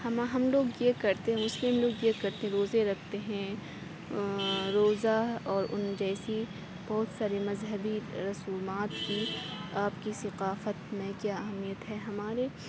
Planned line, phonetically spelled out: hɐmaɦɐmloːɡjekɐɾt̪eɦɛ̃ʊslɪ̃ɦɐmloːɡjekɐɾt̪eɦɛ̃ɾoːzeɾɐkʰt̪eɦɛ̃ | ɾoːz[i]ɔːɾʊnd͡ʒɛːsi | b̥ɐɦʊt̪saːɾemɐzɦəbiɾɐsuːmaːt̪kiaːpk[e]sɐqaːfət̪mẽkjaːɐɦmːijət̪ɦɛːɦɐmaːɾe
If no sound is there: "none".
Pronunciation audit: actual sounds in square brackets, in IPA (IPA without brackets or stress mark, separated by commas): a, i